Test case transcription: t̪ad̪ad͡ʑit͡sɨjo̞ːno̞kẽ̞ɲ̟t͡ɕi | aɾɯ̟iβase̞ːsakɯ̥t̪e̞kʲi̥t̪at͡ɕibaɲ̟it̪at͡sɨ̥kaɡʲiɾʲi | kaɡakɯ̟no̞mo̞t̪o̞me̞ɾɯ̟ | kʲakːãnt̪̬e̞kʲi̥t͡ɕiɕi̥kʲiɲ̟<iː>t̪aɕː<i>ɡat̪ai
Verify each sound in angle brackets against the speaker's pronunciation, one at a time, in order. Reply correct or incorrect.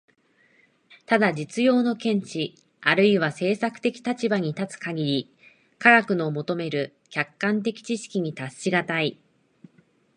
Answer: incorrect, correct

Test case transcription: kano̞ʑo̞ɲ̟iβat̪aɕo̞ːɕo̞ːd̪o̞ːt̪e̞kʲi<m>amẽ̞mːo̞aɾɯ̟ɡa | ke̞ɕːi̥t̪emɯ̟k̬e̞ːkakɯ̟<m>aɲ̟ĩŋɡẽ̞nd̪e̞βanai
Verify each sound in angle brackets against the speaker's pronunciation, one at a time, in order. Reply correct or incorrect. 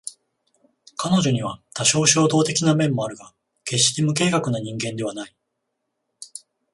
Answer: incorrect, incorrect

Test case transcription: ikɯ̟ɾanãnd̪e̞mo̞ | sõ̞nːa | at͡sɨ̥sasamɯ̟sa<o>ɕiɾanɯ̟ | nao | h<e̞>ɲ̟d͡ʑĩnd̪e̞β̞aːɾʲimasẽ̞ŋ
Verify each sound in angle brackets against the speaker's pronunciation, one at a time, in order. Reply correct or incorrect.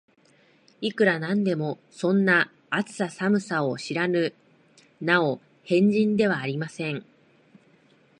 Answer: correct, incorrect

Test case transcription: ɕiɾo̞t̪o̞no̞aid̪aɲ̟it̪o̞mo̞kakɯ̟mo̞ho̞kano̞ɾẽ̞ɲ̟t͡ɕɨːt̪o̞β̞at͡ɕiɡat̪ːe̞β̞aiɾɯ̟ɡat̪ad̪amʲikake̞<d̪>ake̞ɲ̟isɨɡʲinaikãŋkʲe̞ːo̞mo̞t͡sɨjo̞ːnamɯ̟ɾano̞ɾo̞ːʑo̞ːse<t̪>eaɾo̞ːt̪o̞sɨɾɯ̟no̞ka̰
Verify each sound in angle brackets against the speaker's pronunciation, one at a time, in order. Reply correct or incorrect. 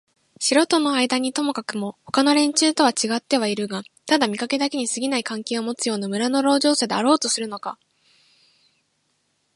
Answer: correct, incorrect

